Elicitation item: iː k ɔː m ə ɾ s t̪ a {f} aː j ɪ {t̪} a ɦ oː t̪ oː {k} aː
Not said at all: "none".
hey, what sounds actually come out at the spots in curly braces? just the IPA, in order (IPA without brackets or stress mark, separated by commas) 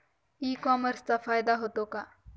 f, d̪, k